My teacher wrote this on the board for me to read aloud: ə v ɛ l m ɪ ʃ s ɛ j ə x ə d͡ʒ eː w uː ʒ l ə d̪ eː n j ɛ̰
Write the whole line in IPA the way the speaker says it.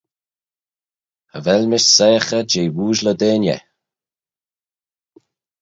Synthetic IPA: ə v ɛ l m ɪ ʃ s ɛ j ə x ə d͡ʒ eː w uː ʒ l ə d̪ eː n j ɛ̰

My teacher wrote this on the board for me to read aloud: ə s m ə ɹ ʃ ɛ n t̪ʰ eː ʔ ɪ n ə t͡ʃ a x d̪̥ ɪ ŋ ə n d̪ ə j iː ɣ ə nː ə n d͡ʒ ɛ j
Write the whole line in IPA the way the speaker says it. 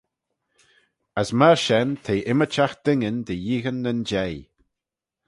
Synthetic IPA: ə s m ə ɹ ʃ ɛ n t̪ʰ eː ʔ ɪ m ə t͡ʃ a x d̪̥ ɪ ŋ ə n d̪ ə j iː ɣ ə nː ə n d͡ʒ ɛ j

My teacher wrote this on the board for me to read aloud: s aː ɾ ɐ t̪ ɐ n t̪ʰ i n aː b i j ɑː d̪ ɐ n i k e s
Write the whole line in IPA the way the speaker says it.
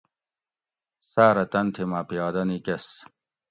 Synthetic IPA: s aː ɾ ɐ t̪ ɐ n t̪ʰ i m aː p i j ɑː d̪ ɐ n i k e s

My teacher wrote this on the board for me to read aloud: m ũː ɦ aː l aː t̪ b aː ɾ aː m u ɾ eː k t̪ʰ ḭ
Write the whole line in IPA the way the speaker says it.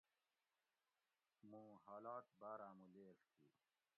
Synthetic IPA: m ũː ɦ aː l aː t̪ b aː ɾ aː m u l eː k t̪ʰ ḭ

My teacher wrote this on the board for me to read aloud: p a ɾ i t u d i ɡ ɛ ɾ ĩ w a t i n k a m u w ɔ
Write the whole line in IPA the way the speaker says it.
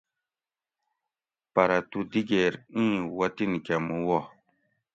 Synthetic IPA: p a ɾ a t u d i ɡ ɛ ɾ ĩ w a t i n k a m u w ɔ

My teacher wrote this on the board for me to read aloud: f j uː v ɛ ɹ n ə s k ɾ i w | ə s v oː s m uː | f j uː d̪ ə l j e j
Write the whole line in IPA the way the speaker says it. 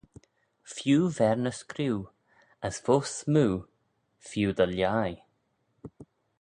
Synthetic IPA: f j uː v ɛ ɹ n ə s k ɾ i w | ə s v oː s m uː | f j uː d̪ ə l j a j

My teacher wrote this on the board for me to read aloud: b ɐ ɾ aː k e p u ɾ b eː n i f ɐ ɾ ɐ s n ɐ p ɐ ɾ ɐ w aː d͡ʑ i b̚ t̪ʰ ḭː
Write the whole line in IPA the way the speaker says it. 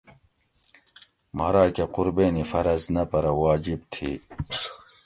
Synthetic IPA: m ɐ ɾ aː k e q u ɾ b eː n i f ɐ ɾ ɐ z n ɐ p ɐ ɾ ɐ w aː d͡ʑ i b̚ t̪ʰ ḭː

